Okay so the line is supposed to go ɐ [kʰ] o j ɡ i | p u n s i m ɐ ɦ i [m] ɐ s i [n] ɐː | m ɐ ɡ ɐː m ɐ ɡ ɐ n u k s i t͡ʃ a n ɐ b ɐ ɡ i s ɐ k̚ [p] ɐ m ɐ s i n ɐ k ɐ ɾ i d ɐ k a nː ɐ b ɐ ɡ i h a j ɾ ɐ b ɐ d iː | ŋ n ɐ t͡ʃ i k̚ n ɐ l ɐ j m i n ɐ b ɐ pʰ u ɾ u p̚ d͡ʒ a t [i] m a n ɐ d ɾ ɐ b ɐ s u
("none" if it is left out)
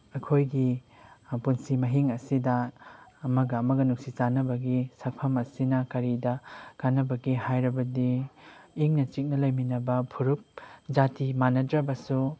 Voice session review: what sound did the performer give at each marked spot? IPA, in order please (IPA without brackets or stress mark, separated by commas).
kʰ, ŋ, d, pʰ, i